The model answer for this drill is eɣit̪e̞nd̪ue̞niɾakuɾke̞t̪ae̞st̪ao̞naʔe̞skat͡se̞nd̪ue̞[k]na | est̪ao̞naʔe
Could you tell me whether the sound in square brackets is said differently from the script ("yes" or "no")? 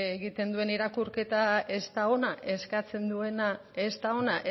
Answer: yes